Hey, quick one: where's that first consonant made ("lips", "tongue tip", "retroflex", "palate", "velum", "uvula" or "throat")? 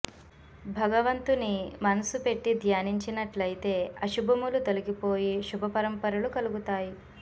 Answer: lips